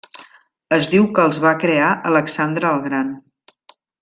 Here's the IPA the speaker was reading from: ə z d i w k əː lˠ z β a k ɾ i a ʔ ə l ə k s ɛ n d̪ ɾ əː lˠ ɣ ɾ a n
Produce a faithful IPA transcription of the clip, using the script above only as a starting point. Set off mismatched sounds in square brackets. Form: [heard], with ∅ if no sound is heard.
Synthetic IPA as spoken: ə z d i w k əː lˠ z β a k ɾ [e] a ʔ ə l ə k s [a] n d̪ ɾ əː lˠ ɣ ɾ a n